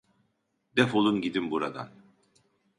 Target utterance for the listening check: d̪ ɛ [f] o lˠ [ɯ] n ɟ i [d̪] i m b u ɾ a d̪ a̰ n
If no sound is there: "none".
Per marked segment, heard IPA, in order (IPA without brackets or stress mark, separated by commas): f, u, d̪